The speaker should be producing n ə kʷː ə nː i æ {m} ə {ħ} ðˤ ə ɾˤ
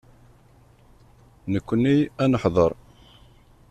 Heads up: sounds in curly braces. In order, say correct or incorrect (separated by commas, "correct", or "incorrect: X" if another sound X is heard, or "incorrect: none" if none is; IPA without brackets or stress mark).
incorrect: n, correct